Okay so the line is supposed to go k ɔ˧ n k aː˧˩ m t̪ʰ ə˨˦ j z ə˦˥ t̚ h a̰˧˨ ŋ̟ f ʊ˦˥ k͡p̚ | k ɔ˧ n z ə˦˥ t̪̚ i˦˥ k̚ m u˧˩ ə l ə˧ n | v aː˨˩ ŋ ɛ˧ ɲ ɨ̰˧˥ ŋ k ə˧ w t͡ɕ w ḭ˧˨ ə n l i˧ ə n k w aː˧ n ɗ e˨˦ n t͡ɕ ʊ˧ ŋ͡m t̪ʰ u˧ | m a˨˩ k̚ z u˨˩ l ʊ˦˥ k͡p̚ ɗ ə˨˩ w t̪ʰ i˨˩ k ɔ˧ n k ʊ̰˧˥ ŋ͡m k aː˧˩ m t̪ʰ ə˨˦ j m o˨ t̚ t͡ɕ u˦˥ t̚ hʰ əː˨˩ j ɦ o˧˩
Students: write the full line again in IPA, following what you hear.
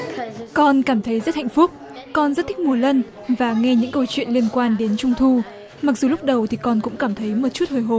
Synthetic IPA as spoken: k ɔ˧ n k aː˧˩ m t̪ʰ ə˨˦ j z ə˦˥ t̚ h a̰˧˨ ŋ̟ f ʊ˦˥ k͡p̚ | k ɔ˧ n z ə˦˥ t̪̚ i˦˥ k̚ m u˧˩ ə l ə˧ n | v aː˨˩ ŋ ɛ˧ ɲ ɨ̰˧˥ ŋ k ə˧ w t͡ɕ w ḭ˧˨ ə n l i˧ ə n k w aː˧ n ɗ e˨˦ n t͡ɕ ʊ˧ ŋ͡m t̪ʰ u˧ | m a˨˩ k̚ z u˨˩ l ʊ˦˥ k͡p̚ ɗ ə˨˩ w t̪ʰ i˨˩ k ɔ˧ n k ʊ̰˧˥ ŋ͡m k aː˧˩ m t̪ʰ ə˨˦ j m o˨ t̚ t͡ɕ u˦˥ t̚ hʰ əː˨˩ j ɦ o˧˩